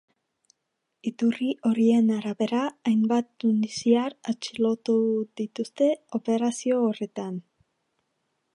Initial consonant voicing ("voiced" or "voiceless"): voiceless